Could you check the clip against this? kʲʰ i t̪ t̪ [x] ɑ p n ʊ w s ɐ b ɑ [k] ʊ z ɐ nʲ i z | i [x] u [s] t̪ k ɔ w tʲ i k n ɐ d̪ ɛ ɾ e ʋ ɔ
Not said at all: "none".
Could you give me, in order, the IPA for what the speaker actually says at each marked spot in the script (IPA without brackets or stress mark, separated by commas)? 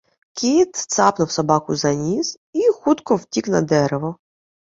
s, k, x, none